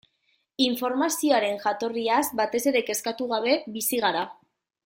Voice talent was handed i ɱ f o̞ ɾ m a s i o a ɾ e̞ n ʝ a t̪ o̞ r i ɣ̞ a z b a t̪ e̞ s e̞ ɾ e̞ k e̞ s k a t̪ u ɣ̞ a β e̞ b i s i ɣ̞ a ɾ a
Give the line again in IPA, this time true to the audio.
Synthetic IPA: i ɱ f o̞ ɾ m a s i o a ɾ e̞ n ʝ a t̪ o̞ r i a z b a t̪ e̞ s e̞ ɾ e̞ k e̞ s k a t̪ u ɣ̞ a β e̞ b i s i ɣ̞ a ɾ a